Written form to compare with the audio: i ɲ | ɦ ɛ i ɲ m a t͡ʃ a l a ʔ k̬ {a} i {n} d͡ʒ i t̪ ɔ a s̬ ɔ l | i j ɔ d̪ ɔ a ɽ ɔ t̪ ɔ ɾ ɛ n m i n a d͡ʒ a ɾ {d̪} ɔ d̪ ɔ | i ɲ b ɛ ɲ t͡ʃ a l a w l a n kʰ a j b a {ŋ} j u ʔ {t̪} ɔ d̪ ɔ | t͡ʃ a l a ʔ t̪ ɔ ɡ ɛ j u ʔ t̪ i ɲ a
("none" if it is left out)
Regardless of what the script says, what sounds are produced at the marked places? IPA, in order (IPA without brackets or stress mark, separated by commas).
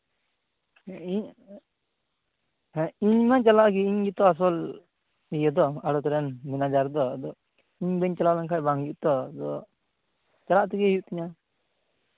i, ɲ, d̪, ŋ, t̪